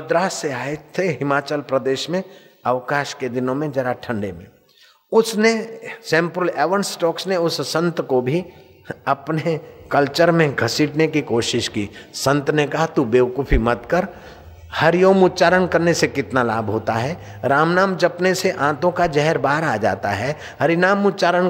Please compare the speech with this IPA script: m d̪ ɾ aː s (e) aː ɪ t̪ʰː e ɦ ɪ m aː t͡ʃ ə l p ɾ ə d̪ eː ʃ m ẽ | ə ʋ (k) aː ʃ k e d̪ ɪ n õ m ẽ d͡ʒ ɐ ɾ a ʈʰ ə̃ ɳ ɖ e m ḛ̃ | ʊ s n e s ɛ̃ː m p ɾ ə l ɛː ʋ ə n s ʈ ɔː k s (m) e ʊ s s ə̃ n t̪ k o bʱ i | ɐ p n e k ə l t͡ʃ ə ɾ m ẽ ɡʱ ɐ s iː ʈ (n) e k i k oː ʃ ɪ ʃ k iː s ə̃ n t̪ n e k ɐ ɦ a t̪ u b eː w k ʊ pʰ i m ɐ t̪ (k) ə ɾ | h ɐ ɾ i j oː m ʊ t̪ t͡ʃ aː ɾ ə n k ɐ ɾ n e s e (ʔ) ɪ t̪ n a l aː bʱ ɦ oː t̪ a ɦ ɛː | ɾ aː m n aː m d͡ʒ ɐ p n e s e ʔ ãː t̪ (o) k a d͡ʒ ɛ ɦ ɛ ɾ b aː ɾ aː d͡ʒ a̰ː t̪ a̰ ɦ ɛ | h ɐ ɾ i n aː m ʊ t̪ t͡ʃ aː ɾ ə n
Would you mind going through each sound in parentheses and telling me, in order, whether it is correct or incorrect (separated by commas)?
correct, correct, incorrect, correct, correct, incorrect, incorrect